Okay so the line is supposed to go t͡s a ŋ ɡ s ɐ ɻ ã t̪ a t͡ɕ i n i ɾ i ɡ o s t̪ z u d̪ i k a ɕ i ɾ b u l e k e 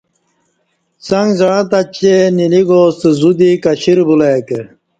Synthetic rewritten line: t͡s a ŋ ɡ z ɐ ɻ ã t̪ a t͡ɕ e n i l i ɡ o s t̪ z u d̪ i k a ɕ i ɾ b u l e k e